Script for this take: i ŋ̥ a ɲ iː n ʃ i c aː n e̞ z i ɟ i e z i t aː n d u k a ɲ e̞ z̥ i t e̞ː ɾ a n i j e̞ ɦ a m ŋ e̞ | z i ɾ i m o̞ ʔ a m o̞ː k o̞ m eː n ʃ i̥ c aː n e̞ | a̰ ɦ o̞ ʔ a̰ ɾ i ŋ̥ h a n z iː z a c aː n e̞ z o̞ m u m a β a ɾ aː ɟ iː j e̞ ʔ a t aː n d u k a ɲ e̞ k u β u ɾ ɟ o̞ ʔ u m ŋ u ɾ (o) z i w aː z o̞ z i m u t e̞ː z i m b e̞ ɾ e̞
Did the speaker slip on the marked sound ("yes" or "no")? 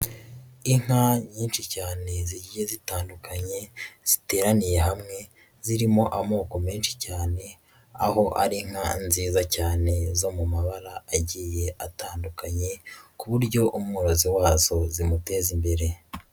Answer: no